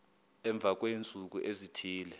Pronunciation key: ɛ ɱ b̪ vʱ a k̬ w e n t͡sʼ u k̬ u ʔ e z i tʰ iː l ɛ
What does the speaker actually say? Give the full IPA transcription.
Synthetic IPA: ɛ ɱ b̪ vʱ a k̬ w e n t͡sʼ u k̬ u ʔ e z i tʰ iː l ɛ

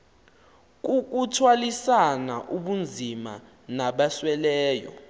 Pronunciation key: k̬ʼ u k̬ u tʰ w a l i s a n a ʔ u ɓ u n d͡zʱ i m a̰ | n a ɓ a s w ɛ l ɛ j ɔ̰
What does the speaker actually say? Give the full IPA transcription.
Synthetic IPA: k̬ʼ u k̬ u tʰ w a l i s a n a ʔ u ɓ u n d͡zʱ i m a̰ | n a ɓ a s w ɛ l ɛː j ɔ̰

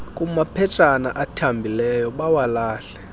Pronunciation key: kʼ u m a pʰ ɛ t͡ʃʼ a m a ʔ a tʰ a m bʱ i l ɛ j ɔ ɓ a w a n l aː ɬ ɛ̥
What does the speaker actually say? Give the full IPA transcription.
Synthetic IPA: kʼ u m a pʰ ɛ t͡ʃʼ a n a ʔ a tʰ a m bʱ i l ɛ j ɔ ɓ a w a l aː ɬ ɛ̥

